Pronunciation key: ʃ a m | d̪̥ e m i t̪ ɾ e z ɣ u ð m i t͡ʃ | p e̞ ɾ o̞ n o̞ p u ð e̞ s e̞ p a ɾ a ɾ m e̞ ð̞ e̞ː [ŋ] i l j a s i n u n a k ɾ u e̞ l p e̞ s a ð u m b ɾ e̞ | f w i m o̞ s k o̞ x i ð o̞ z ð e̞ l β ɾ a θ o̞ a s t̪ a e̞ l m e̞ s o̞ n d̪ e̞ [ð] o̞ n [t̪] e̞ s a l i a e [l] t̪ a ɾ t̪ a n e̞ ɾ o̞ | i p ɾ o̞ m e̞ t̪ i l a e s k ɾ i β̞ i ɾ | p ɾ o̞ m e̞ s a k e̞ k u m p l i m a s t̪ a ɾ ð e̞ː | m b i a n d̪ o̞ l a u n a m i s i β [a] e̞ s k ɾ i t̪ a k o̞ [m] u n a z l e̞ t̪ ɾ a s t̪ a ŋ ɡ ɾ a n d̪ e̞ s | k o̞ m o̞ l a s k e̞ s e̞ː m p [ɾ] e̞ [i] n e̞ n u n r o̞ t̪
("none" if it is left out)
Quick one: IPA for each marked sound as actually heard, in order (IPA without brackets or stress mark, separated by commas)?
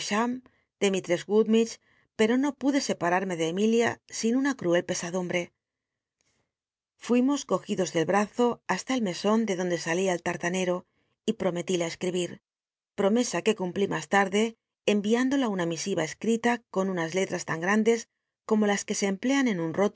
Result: m, ð, d̪, l, a, n, l, a